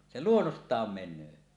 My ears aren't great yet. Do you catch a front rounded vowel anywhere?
yes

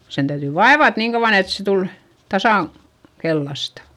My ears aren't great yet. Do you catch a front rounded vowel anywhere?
yes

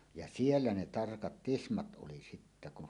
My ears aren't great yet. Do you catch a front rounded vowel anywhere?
no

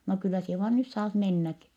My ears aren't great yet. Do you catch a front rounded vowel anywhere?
yes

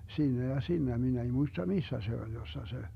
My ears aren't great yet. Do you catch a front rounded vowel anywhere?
no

